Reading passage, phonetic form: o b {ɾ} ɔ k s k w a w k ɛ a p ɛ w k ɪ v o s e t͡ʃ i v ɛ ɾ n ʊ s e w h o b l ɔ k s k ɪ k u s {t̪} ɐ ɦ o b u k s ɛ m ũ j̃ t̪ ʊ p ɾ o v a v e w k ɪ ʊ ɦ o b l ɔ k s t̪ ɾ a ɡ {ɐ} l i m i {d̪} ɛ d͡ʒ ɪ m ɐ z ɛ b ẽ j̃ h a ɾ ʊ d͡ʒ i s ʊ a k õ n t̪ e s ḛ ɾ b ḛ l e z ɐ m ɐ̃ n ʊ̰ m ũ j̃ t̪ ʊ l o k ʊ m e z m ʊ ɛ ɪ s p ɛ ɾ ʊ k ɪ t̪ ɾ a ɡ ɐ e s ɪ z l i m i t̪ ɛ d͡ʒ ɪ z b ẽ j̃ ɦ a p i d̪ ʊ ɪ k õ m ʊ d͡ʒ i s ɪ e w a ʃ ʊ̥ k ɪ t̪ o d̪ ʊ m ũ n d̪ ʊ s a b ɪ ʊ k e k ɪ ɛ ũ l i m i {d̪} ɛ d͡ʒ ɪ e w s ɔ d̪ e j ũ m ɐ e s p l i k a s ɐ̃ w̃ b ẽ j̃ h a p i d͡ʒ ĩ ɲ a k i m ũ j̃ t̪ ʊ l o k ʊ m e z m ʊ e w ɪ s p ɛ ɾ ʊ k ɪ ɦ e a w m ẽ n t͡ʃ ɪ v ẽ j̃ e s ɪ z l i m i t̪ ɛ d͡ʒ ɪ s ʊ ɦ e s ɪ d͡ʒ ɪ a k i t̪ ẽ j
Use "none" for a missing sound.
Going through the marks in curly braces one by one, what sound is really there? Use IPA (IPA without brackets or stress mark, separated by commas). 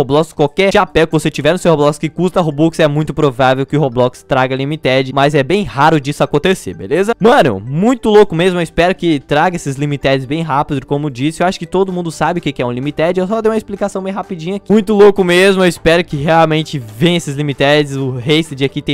l, t̪, ɐ, t̪, t̪